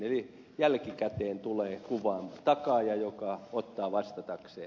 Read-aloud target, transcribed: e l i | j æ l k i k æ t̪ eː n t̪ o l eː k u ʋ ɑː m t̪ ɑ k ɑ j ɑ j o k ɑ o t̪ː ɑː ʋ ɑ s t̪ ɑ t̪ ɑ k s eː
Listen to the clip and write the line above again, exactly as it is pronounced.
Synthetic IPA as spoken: e l i | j æ l k i k æ t̪ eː n t̪ u l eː k u ʋ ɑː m t̪ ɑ k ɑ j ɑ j o k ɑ o t̪ː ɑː ʋ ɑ s t̪ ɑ t̪ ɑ k s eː